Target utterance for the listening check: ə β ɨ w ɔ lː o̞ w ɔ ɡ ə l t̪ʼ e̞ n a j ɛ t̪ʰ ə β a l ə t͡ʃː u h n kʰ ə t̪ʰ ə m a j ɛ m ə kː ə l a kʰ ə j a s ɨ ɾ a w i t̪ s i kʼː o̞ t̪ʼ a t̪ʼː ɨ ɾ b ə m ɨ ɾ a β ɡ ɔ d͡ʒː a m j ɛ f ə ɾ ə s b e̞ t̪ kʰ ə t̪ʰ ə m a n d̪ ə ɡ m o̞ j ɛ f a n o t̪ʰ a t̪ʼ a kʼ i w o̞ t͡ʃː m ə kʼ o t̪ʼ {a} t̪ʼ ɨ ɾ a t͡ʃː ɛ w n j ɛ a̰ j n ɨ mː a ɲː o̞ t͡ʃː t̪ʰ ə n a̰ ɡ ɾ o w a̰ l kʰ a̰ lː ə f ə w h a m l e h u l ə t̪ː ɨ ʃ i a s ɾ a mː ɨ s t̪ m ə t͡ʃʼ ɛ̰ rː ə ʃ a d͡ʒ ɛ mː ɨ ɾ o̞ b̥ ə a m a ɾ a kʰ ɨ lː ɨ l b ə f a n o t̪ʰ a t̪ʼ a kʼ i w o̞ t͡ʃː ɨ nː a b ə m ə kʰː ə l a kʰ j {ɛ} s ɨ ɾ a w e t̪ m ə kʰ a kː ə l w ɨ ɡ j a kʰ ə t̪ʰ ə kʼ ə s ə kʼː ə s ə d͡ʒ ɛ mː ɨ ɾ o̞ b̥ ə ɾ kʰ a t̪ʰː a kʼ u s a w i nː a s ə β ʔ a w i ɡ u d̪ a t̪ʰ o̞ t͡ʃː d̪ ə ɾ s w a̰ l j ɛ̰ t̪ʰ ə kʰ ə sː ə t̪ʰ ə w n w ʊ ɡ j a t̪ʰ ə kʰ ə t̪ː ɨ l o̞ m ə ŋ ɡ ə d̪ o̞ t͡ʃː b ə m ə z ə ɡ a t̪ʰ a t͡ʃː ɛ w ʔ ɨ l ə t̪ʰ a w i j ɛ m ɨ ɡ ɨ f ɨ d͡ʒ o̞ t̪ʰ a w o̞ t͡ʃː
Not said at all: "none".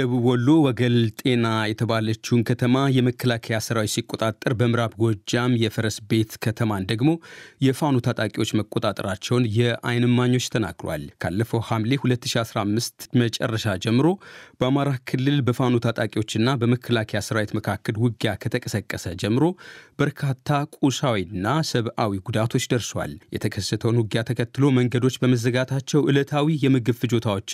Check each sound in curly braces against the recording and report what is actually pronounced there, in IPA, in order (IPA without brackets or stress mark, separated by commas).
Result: a, a